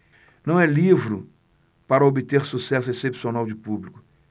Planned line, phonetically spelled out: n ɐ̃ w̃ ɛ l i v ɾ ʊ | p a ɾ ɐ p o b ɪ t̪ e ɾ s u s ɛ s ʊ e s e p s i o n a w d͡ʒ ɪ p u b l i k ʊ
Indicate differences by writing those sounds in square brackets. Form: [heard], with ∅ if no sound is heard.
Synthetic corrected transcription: n ɐ̃ w̃ ɛ l i v ɾ ʊ | p a ɾ ɐ [∅] o b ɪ t̪ e ɾ s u s ɛ s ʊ e s e p s i o n a w d͡ʒ ɪ p u b l i k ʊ